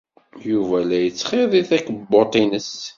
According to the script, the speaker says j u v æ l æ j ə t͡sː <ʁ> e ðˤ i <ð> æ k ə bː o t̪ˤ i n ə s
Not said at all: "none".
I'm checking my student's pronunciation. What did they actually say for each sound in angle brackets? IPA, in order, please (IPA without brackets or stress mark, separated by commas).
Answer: χ, θ